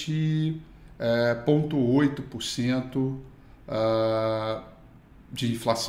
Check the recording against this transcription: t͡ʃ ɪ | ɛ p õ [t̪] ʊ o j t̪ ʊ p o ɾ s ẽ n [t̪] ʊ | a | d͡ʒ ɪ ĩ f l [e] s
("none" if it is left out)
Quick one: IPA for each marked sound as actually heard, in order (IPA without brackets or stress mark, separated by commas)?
t̪, t̪, a